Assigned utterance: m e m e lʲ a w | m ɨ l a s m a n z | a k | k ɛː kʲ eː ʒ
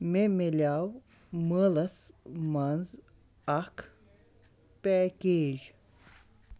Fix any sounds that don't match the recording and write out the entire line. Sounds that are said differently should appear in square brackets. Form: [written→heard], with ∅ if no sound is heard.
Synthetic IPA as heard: m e m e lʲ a w | m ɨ l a s m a n z | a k | [k→p] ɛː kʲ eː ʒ

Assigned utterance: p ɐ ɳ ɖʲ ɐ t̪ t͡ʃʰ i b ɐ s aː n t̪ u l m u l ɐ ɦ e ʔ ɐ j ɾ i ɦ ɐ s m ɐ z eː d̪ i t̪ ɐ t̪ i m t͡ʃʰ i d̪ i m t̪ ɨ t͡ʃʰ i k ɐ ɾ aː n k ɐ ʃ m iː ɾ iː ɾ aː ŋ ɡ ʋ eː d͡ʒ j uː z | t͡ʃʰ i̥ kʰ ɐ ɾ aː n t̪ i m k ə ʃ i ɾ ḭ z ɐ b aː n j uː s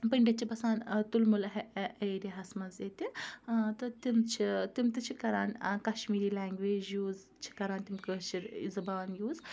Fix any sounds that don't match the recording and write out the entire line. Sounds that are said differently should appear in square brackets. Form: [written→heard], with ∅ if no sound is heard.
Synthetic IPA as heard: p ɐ ɳ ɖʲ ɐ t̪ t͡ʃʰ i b ɐ s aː n t̪ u l m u l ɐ ɦ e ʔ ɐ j ɾ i ɦ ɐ s m ɐ z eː [d̪→t̪] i t̪ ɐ t̪ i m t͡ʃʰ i [d̪→t̪] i m t̪ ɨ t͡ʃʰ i k ɐ ɾ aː n k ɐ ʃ m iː ɾ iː [ɾ→l] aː ŋ ɡ ʋ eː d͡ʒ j uː z | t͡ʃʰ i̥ [kʰ→k] ɐ ɾ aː n t̪ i m k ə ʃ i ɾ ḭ z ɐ b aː n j uː [s→z]

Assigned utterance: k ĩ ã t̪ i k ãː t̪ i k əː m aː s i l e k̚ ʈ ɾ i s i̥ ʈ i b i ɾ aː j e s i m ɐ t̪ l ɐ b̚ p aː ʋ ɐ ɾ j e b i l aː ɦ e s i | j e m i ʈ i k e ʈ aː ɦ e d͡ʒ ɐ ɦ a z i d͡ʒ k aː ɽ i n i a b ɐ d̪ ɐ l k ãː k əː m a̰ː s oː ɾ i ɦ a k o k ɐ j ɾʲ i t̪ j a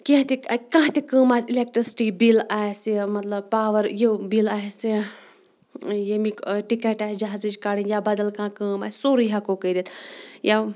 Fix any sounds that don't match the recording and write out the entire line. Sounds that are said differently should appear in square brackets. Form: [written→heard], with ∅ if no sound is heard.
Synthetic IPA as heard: k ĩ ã t̪ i k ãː t̪ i k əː m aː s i l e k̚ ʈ ɾ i s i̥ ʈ i b i [ɾ→l] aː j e s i m ɐ t̪ l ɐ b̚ p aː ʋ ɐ ɾ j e b i l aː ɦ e s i | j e m i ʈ i k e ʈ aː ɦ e d͡ʒ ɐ ɦ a z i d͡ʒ k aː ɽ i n [i→j] a b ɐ d̪ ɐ l k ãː k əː m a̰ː s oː ɾ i ɦ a k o k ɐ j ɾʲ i t̪ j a

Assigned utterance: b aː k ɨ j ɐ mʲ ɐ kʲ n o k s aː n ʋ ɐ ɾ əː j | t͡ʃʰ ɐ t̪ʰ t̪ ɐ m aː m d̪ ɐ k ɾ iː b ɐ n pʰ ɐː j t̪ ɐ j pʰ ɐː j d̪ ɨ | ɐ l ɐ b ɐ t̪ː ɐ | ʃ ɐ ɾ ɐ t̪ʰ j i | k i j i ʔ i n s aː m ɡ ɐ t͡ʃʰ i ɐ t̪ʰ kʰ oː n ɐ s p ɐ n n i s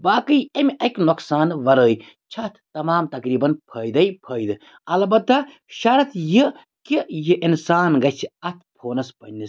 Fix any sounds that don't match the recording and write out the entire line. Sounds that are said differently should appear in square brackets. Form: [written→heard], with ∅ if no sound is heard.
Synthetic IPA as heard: b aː k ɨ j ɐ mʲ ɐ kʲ n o k s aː n ʋ ɐ ɾ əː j | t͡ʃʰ ɐ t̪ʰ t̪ ɐ m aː m [d̪→t̪] ɐ k ɾ iː b ɐ n pʰ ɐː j [t̪→d̪] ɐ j pʰ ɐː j d̪ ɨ | ɐ l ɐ b ɐ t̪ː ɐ | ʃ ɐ ɾ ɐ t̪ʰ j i | k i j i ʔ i n s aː [m→n] ɡ ɐ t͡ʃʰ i ɐ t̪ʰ [kʰ→pʰ] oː n ɐ s p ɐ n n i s

